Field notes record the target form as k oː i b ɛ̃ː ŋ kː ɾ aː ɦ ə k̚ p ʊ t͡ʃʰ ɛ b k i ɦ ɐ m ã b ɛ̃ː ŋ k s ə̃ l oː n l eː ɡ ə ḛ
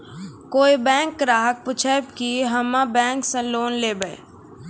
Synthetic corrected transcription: k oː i b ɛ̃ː ŋ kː ɾ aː ɦ ə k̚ p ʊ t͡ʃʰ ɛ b k i ɦ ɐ m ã b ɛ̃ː ŋ k s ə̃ l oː n l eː b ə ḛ